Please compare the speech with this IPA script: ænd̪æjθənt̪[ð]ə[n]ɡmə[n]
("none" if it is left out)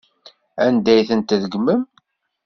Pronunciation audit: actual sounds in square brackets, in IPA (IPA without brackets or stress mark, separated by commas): ð, none, m